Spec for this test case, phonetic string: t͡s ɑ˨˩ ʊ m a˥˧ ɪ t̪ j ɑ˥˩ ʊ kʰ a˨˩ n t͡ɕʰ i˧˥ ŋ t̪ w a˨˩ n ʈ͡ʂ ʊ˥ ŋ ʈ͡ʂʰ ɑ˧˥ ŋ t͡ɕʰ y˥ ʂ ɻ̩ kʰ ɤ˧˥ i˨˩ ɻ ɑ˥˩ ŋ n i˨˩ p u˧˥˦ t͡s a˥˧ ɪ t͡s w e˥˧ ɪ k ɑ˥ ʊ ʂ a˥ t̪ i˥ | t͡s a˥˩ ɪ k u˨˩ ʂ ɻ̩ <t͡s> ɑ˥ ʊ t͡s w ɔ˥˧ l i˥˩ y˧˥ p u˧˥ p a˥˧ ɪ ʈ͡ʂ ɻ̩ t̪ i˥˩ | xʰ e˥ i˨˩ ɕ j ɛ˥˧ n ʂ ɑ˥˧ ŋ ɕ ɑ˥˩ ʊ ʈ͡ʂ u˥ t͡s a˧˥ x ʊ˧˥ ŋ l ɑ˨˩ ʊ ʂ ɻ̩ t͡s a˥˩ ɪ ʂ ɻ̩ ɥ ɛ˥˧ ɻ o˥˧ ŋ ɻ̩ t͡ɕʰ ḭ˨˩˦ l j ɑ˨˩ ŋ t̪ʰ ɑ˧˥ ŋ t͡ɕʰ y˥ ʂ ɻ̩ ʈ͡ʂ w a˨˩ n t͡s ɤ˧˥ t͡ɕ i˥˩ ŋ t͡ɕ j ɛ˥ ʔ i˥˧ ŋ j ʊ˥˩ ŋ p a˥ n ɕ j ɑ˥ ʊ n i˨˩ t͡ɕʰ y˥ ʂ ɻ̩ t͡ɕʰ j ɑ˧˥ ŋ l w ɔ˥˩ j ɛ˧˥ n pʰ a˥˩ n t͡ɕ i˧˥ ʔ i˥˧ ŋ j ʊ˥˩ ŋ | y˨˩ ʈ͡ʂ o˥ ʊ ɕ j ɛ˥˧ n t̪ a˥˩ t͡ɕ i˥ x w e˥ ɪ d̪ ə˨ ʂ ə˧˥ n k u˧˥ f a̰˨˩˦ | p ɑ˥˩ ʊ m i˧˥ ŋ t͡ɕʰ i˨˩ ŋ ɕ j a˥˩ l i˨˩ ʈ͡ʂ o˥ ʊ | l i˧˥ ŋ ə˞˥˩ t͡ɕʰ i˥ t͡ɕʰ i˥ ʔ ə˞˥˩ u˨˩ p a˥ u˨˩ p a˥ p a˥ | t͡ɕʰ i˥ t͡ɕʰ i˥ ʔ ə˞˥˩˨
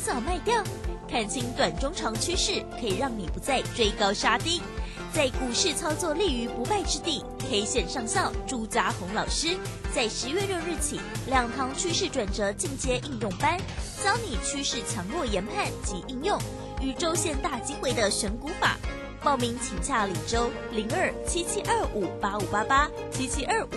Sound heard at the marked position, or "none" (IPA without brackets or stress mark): t͡sʰ